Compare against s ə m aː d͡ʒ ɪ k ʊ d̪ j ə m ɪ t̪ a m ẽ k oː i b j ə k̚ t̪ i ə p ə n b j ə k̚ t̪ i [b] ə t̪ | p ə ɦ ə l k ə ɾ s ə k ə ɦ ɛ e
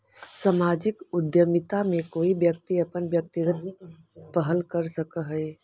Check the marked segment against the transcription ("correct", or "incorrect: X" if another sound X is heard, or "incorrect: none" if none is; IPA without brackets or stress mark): incorrect: ɡ